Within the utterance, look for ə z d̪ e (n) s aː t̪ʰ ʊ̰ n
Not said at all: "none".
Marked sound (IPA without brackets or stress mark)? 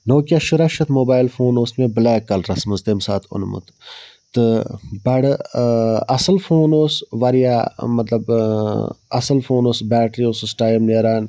m